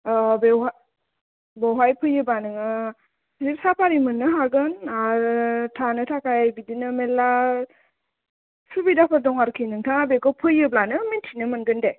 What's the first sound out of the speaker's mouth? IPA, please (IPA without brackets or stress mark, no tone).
b